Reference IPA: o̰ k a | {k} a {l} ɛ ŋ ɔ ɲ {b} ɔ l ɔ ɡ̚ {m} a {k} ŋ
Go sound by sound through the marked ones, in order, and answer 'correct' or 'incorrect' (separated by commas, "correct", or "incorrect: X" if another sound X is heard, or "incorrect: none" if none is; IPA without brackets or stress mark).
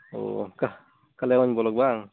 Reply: correct, correct, correct, incorrect: b, incorrect: none